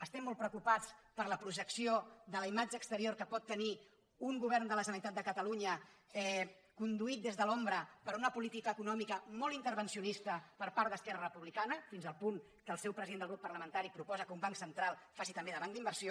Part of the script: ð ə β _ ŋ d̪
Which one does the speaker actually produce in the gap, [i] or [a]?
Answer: a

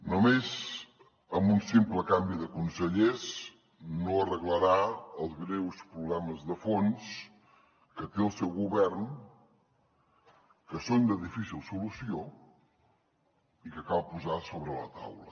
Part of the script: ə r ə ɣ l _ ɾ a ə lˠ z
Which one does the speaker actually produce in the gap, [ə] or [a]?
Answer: ə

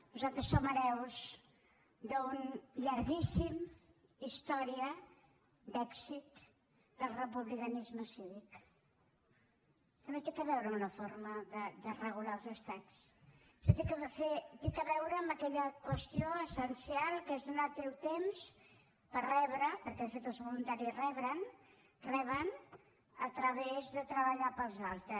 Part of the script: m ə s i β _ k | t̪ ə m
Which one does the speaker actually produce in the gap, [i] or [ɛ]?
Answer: i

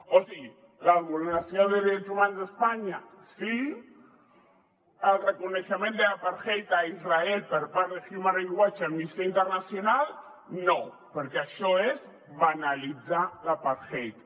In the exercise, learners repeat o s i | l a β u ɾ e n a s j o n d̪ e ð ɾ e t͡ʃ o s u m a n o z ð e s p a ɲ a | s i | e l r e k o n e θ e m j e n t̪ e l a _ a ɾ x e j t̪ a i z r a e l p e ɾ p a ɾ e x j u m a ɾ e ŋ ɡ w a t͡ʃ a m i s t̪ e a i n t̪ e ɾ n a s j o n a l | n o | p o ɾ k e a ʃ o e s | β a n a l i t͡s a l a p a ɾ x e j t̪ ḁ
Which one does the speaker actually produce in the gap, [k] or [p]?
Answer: p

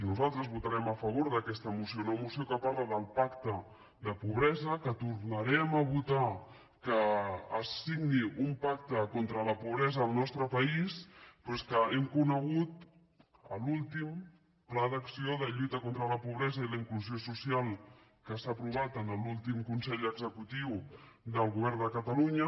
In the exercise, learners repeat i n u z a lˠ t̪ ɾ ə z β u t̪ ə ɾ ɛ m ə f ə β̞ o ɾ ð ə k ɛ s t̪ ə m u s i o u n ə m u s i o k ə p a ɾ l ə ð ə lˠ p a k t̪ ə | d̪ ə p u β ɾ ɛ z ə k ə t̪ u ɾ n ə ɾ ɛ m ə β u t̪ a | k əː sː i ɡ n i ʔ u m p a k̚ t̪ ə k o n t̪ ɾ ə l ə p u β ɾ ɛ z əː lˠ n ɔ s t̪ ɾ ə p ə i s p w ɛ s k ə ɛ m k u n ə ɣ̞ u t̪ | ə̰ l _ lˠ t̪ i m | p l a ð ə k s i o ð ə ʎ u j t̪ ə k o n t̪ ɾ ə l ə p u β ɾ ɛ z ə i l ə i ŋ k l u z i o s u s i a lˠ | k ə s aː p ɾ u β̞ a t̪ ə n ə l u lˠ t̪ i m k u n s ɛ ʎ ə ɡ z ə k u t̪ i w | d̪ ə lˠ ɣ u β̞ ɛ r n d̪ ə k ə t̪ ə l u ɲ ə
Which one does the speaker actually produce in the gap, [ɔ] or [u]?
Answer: u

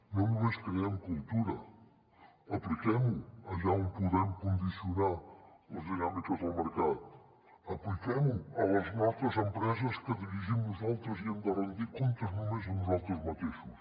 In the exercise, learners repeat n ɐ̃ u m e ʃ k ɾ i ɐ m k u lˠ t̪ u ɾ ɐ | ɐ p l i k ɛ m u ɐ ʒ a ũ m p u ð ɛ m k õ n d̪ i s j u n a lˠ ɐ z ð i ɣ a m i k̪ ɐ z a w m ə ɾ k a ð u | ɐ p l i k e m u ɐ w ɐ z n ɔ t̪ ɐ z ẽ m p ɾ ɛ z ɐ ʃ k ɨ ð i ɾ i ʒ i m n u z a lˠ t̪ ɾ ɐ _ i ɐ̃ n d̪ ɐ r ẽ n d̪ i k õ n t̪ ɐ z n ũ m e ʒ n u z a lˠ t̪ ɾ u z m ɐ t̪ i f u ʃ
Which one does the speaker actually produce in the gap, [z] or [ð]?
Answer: z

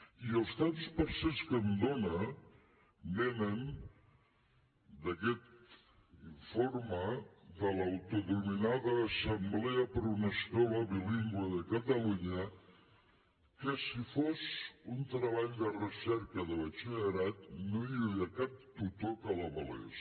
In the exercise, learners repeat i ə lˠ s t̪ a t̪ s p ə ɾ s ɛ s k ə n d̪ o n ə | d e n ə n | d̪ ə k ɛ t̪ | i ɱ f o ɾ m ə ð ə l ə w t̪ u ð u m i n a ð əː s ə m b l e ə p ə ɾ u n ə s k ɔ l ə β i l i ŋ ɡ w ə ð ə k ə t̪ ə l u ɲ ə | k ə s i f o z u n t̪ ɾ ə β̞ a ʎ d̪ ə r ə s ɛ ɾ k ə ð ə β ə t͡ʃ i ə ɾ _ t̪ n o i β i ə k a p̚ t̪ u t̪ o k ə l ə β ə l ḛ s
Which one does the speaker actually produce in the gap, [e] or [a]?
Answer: a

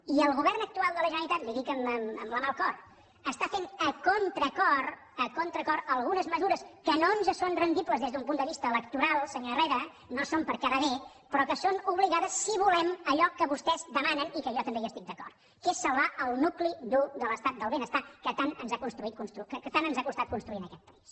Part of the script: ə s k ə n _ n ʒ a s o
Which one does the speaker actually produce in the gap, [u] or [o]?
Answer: o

